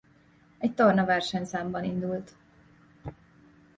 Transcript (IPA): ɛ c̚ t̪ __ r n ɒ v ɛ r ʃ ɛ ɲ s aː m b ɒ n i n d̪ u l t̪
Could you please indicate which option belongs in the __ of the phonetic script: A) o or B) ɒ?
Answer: A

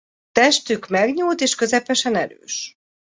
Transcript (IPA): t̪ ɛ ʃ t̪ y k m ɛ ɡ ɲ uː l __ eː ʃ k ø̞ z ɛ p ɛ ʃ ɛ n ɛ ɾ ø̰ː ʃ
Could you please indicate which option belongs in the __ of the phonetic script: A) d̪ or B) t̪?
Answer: B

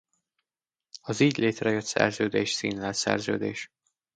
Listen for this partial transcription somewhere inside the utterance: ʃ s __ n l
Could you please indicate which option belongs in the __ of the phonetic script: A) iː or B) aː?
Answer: A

